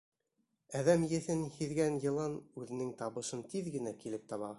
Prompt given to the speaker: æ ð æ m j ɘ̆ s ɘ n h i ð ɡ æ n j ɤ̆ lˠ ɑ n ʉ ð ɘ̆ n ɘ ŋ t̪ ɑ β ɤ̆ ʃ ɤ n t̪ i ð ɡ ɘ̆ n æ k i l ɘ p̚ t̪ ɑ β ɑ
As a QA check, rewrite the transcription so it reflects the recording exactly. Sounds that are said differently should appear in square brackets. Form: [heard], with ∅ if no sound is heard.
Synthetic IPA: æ ð æ m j ɘ̆ [θ] ɘ n h i ð ɡ æ n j ɤ̆ lˠ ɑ n ʉ ð ɘ̆ n ɘ ŋ t̪ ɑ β ɤ̆ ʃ ɤ n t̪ i ð ɡ ɘ̆ n æ k i l ɘ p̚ t̪ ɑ β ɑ